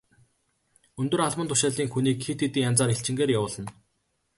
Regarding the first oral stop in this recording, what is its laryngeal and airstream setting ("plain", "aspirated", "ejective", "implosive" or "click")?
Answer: plain